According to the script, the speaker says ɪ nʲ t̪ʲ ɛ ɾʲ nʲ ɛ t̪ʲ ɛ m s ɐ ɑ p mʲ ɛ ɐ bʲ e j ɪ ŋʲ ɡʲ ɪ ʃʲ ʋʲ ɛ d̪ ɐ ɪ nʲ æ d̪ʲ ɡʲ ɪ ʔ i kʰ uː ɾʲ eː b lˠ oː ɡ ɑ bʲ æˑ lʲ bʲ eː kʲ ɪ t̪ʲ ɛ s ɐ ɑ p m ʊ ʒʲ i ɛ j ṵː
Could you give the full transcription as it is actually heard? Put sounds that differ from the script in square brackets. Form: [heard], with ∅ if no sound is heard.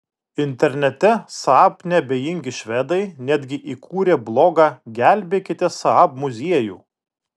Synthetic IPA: ɪ nʲ t̪ʲ ɛ ɾʲ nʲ ɛ t̪ʲ ɛ [∅] s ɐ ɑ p [nʲ] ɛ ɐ bʲ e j ɪ ŋʲ ɡʲ ɪ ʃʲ ʋʲ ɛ d̪ ɐ ɪ nʲ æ d̪ʲ ɡʲ ɪ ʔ i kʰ uː ɾʲ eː b lˠ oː ɡ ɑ [ɡʲ] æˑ lʲ bʲ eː kʲ ɪ t̪ʲ ɛ s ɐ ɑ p m ʊ [zʲ] i ɛ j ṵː